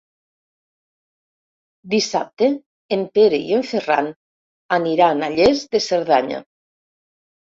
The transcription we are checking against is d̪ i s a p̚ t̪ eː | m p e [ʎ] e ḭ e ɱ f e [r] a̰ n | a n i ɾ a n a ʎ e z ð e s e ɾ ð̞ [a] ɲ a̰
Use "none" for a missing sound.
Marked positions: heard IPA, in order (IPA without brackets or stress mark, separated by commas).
ɾ, r, a